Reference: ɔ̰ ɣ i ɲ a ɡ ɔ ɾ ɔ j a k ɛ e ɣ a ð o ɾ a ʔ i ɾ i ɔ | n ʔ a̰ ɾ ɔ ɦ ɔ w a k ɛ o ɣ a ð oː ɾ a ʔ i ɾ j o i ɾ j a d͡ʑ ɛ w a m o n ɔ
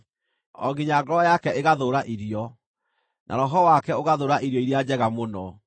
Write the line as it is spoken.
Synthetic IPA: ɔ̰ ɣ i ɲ a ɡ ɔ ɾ ɔ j a k ɛ e ɣ a ð o ɾ a ʔ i ɾ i ɔ | n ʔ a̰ ɾ ɔ ɦ ɔ w a k ɛ o ɣ a ð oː ɾ a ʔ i ɾ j ɔ i ɾ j a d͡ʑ ɛ ɣ a m o n ɔ